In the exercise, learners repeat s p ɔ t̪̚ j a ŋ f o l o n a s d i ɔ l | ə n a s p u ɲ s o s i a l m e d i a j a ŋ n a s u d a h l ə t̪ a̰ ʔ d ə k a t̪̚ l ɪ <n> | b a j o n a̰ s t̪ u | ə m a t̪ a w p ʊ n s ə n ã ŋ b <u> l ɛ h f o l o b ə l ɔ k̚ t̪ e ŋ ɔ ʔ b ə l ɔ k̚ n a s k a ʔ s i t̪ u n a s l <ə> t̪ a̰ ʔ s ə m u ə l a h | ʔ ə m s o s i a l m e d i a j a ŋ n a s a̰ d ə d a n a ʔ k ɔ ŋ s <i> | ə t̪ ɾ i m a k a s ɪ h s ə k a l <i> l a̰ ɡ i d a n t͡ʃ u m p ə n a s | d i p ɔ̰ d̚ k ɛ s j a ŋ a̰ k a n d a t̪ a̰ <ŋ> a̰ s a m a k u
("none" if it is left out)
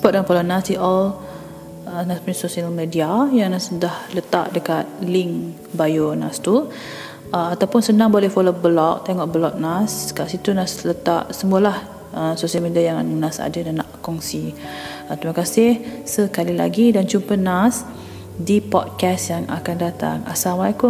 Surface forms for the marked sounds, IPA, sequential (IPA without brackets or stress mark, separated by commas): ŋ, o, ə, i, i, ŋ